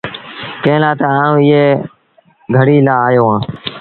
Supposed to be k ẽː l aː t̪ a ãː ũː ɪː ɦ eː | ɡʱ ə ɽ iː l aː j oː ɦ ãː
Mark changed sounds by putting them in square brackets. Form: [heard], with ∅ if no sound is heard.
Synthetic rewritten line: k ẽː l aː t̪ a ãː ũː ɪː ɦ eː | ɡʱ ə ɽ iː l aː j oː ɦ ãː